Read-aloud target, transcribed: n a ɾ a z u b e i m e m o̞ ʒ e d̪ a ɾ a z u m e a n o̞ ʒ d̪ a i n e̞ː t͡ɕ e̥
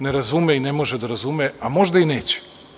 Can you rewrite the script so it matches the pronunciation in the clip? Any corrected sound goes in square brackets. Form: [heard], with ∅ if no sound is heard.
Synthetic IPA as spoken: n [e] ɾ a z u [m] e i [n] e m o̞ ʒ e d̪ a ɾ a z u m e a [m] o̞ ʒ d̪ a i n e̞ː t͡ɕ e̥

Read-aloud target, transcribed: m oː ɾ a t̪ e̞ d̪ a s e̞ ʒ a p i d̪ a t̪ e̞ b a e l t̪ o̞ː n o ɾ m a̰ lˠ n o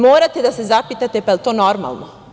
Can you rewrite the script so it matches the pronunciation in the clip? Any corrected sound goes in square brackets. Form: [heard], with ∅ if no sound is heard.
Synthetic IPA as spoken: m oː ɾ a t̪ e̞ d̪ a s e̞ [z] a p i [t̪] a t̪ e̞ [p] a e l t̪ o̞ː n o ɾ m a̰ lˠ n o

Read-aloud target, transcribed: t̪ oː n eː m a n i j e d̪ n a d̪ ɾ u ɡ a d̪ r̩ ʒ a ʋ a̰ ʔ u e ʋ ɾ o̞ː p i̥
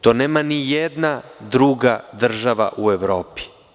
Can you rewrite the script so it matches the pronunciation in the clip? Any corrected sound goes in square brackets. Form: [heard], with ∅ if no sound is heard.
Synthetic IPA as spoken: t̪ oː n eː m a n i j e d̪ n a d̪ ɾ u ɡ a d̪ r̩ ʒ a ʋ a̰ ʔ u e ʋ ɾ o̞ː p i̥

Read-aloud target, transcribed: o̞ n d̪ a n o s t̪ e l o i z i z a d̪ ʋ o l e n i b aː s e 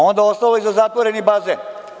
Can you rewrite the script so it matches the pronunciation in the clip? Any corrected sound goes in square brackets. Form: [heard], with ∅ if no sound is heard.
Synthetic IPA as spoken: o̞ n d̪ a [∅] o s t̪ [a] l o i z [a] z a [t̪] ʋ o [ɾ] e n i b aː [z] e

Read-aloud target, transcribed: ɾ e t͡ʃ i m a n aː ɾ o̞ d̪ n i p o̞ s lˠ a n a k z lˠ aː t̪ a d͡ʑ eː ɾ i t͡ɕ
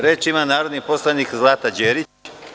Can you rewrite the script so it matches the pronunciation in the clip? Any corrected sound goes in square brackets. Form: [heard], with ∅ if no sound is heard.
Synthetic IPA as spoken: ɾ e t͡ʃ i m a n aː ɾ o̞ d̪ n i p o̞ s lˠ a n [i] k z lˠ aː t̪ a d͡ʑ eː ɾ i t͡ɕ

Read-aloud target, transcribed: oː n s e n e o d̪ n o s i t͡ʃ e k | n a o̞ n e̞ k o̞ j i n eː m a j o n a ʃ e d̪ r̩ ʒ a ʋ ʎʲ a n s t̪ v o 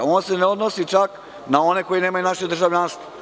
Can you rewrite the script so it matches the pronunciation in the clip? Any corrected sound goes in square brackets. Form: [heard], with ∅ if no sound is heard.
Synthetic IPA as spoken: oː n s e n e o d̪ n o s i t͡ʃ [a] k | n a o̞ n e̞ k o̞ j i n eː m a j [u] n a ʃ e d̪ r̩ ʒ a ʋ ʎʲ a n s t̪ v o

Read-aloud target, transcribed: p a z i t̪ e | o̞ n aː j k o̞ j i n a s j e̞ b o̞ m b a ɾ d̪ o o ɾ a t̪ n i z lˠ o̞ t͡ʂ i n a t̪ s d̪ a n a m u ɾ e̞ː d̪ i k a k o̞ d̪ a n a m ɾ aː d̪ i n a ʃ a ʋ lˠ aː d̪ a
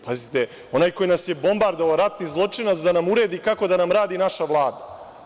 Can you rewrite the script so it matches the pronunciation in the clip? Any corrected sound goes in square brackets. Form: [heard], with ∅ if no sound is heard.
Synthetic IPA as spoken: p a z i t̪ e | o̞ n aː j k o̞ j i n a s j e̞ b o̞ m b a ɾ d̪ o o ɾ a t̪ n i z lˠ o̞ t͡ʂ i n a t̪ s d̪ a n a m u ɾ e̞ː d̪ i k a k o̞ d̪ a n a m ɾ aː d̪ i n a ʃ a ʋ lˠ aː d̪ a

